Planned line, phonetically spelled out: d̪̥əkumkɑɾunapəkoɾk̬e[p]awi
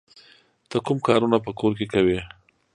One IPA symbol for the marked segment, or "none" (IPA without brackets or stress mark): k